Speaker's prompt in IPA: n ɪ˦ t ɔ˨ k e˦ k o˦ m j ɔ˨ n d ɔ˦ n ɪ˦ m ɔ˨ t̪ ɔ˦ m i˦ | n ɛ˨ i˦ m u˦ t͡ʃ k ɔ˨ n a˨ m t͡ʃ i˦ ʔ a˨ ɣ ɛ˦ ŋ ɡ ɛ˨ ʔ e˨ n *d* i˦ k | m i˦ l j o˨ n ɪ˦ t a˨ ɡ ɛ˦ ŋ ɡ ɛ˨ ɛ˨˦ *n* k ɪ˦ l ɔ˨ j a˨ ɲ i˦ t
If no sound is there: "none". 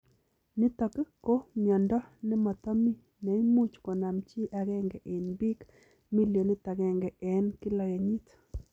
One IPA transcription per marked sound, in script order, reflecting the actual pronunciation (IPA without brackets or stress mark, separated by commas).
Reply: b, n